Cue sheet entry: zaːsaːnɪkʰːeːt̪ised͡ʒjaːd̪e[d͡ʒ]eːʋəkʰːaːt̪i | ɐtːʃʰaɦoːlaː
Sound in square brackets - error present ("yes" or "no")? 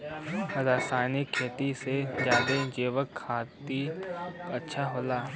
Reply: no